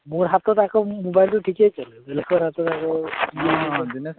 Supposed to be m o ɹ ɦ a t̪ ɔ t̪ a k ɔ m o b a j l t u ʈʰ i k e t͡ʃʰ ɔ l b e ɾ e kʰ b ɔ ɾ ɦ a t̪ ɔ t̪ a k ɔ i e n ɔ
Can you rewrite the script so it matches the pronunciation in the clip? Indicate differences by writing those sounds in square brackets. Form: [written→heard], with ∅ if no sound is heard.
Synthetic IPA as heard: m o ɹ ɦ a t̪ ɔ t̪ a k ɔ m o b a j l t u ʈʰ i k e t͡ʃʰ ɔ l b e [ɾ→l] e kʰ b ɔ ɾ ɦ a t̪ ɔ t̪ a k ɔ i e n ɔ